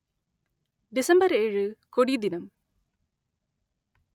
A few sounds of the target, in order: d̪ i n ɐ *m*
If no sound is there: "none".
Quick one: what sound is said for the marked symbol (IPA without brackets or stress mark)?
m